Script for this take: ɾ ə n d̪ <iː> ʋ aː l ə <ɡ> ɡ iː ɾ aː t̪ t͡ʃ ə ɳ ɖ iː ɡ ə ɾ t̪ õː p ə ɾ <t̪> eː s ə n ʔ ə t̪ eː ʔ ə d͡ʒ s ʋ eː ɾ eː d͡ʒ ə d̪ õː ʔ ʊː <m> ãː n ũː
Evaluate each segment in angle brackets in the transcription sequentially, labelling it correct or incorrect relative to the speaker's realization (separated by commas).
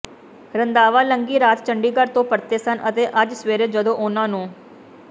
incorrect, incorrect, correct, incorrect